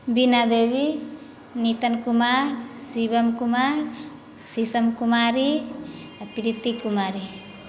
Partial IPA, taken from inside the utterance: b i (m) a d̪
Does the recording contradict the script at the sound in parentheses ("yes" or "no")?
yes